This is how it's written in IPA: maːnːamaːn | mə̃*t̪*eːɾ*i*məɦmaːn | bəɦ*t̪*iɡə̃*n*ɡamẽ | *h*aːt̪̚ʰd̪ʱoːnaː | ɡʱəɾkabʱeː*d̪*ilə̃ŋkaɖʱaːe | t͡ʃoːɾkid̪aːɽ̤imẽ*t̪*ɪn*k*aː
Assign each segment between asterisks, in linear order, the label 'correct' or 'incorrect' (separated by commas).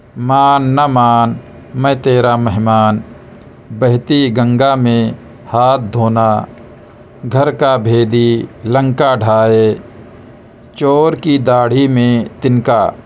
correct, incorrect, correct, incorrect, correct, correct, correct, correct